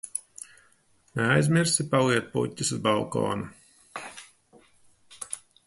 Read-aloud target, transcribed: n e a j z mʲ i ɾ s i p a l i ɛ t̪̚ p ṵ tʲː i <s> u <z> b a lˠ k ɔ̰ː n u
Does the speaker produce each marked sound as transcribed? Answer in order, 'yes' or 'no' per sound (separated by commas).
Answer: yes, yes